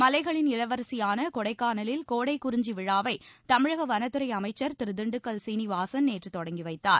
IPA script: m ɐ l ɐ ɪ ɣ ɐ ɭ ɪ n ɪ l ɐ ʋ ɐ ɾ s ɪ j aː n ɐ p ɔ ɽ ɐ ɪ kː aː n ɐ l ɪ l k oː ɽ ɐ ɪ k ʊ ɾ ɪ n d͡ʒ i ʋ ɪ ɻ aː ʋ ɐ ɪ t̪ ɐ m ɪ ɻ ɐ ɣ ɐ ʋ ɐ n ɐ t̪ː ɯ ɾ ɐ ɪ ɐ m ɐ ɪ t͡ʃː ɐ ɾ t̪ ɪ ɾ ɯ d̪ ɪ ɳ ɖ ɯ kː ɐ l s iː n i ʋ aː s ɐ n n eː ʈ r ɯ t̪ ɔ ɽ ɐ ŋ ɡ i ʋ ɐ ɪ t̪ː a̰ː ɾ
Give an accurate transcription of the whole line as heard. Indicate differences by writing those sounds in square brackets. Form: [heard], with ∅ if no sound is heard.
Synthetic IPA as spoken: m ɐ l ɐ ɪ ɣ ɐ ɭ ɪ n ɪ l ɐ ʋ ɐ ɾ s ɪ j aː n ɐ [k] ɔ ɽ ɐ ɪ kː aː n ɐ l ɪ l k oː ɽ ɐ ɪ k ʊ ɾ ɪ [ɲ] d͡ʒ i ʋ ɪ ɻ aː ʋ ɐ ɪ t̪ ɐ m ɪ ɻ ɐ ɣ ɐ ʋ ɐ n ɐ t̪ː ɯ ɾ ɐ ɪ ɐ m ɐ ɪ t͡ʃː ɐ ɾ t̪ ɪ ɾ ɯ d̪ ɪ ɳ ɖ ɯ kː ɐ l s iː n i ʋ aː s ɐ n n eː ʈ r ɯ t̪ ɔ ɽ ɐ ŋ ɡ i ʋ ɐ ɪ t̪ː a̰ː ɾ